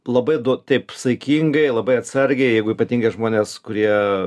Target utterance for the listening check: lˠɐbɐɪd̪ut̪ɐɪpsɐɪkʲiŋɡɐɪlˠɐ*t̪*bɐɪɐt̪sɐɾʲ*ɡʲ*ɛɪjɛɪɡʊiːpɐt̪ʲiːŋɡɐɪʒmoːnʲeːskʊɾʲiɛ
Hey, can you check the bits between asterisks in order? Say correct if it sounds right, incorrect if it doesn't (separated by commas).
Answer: incorrect, correct